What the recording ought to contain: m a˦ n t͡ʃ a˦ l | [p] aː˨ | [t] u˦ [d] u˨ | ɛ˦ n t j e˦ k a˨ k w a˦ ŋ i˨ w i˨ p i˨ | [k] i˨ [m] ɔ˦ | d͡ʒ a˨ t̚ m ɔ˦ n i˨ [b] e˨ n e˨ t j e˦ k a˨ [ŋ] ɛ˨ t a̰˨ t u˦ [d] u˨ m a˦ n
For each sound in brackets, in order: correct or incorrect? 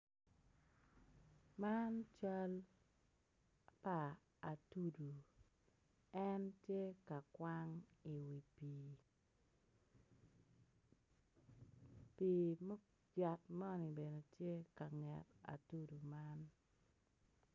correct, correct, correct, incorrect: p, correct, correct, correct, correct

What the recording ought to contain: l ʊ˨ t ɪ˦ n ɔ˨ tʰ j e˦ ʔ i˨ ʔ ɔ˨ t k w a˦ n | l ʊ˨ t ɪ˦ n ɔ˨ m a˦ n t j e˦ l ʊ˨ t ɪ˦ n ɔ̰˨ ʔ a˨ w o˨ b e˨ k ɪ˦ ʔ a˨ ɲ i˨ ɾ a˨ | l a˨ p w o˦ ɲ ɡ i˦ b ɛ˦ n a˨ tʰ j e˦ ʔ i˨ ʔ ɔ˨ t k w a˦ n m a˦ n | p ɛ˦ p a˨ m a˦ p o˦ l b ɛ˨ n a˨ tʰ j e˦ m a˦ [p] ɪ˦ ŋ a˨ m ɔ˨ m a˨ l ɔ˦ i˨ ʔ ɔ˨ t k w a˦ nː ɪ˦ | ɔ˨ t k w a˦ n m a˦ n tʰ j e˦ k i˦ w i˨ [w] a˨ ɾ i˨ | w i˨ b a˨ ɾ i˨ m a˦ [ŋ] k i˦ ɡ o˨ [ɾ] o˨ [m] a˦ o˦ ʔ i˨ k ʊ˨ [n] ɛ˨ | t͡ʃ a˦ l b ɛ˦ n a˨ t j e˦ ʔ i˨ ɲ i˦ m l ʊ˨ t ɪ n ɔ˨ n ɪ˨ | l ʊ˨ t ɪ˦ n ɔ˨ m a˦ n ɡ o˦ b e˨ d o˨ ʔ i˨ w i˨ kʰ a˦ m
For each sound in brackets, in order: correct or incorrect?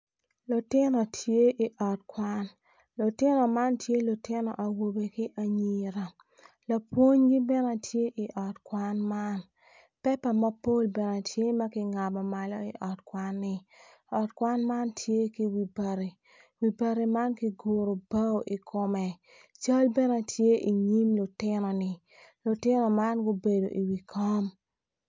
incorrect: k, incorrect: b, incorrect: n, correct, incorrect: b, incorrect: m

